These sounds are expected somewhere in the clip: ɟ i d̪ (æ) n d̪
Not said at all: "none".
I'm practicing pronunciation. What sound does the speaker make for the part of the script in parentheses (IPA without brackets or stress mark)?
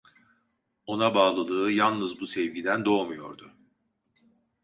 æ